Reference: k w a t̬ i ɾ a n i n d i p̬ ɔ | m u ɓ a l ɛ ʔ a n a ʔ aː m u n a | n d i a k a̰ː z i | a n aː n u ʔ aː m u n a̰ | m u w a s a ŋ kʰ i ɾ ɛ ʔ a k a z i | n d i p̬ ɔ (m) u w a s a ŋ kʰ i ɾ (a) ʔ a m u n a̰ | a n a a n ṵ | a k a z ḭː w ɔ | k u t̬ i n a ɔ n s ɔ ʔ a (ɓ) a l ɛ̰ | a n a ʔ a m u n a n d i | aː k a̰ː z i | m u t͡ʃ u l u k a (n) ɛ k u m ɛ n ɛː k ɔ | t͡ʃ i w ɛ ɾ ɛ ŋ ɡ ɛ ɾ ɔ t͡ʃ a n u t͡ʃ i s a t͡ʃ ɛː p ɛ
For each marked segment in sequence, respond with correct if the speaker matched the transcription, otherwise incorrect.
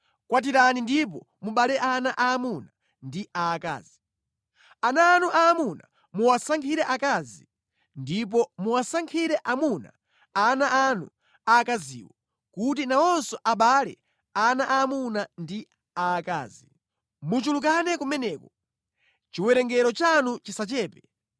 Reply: correct, incorrect: ɛ, correct, correct

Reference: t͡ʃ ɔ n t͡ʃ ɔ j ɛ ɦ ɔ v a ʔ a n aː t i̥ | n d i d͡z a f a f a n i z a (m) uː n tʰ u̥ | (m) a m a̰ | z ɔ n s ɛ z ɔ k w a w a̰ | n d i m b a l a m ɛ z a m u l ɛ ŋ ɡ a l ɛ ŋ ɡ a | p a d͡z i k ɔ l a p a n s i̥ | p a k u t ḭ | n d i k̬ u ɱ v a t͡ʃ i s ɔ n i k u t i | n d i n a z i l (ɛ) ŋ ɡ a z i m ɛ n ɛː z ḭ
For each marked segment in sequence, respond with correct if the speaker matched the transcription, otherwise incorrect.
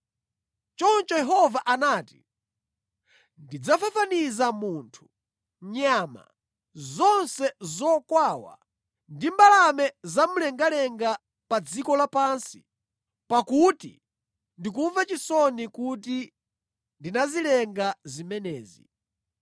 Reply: correct, incorrect: ɲ, correct

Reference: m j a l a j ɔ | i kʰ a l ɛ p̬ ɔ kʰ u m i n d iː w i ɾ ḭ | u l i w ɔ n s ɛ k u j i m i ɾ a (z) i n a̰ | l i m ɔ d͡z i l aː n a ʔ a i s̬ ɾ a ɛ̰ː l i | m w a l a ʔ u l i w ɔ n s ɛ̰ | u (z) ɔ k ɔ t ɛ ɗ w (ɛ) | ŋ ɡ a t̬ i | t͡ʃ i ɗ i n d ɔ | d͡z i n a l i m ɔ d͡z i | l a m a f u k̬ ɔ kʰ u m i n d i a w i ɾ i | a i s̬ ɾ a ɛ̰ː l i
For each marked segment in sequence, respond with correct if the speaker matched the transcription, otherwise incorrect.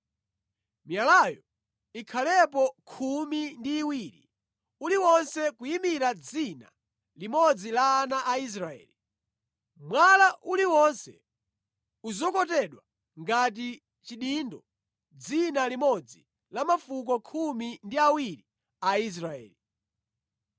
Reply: incorrect: d͡z, correct, incorrect: a

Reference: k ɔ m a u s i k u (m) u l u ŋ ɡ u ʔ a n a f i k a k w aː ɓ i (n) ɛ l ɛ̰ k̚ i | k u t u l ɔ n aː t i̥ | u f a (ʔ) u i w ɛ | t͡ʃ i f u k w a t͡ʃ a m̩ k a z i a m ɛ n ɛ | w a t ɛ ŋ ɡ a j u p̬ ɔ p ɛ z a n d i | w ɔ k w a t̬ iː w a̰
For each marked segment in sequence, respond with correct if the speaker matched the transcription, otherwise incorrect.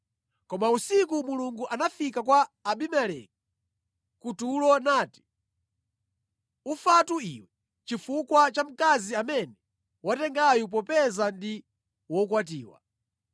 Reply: correct, incorrect: m, incorrect: t

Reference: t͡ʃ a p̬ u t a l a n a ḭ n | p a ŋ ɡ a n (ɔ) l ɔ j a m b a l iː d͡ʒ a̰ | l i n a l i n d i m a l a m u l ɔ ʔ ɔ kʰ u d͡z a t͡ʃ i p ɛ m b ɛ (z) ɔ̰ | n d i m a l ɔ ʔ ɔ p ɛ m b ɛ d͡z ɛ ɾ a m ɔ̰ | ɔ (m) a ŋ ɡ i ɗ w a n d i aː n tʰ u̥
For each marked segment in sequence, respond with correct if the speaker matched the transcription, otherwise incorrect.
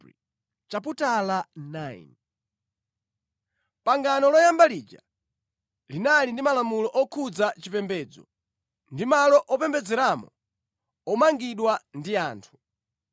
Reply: correct, incorrect: d͡z, correct

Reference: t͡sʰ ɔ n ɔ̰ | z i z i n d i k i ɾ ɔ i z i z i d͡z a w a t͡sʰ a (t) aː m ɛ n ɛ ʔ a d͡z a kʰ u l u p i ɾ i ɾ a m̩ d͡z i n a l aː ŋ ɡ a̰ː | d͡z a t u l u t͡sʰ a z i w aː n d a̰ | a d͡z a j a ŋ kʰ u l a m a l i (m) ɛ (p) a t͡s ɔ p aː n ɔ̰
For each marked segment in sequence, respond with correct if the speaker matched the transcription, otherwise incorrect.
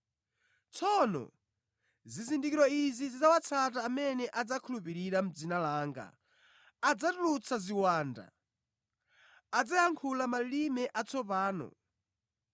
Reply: correct, correct, incorrect: ʔ

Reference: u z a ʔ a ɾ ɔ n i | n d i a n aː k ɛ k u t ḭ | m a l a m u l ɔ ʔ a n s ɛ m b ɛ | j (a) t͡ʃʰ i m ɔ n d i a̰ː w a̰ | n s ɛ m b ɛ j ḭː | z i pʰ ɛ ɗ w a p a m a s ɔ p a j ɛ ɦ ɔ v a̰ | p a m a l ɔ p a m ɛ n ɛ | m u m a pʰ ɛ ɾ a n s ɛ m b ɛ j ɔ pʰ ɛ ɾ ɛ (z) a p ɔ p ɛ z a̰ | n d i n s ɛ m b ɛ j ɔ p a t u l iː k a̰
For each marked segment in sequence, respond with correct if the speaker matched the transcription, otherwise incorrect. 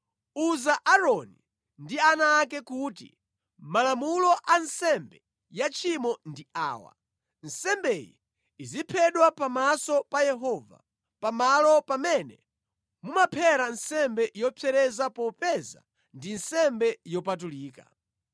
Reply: correct, correct

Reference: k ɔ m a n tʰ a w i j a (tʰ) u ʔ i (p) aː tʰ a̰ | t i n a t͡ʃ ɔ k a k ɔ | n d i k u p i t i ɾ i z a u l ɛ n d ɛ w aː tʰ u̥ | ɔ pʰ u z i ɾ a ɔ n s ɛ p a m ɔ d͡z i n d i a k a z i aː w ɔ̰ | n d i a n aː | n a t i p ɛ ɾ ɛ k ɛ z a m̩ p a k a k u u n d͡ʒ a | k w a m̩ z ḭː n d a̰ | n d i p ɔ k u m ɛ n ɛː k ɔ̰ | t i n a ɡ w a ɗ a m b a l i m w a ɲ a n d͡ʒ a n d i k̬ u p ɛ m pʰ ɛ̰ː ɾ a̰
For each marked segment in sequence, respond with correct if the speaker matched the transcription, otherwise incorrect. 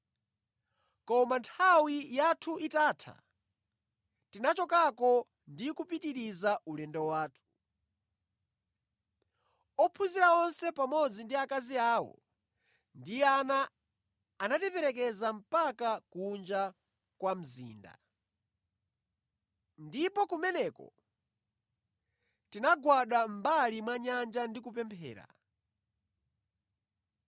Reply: correct, incorrect: t

